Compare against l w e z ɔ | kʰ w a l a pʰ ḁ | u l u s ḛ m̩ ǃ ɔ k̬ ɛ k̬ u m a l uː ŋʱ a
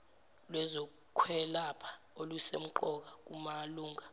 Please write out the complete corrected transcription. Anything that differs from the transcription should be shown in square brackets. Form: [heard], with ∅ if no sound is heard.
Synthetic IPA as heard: l w [ɛ] z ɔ | kʰ w [ɛ] l a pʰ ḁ | [o] l u s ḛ m̩ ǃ ɔ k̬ [a] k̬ u m a l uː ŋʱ a